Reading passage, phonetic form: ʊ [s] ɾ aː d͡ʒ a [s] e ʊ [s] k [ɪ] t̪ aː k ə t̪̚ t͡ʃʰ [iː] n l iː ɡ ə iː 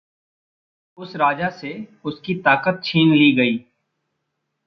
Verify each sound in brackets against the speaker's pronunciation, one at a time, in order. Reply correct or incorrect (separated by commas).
correct, correct, correct, incorrect, correct